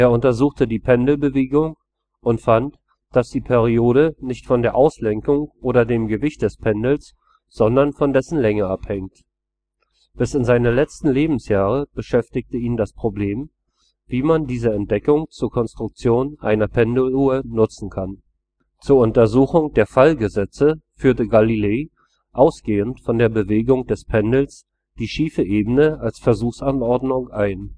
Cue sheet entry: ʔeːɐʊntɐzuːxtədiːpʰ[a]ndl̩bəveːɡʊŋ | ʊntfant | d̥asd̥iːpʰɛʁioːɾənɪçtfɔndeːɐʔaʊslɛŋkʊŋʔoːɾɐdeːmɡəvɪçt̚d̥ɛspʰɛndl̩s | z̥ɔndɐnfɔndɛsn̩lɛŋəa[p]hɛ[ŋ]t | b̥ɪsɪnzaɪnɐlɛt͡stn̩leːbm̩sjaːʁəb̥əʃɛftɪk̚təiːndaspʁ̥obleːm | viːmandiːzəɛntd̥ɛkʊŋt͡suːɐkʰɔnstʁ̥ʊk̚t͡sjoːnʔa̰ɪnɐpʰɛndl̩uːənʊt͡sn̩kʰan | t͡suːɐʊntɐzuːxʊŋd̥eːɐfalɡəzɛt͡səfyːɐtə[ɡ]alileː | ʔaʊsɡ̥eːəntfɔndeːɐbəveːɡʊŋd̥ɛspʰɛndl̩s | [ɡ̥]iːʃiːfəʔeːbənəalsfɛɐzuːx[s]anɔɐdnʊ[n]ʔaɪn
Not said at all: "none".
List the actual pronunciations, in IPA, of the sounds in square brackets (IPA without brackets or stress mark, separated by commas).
ɛ, p, ŋ, ɡ, d̥, s, ŋ